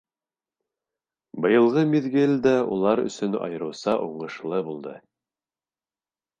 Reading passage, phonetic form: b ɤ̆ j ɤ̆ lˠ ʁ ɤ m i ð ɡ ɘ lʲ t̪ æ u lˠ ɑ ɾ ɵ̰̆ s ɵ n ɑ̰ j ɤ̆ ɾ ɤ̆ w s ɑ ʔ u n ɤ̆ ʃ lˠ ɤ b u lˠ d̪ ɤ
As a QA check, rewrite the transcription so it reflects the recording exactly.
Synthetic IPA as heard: b ɤ̆ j ɤ̆ lˠ ʁ ɤ m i ð ɡ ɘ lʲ d̪ æ u lˠ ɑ ɾ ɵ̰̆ s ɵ n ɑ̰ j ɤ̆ ɾ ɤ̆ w s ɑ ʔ u ɴ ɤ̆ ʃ lˠ ɤ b u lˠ d̪ ɤ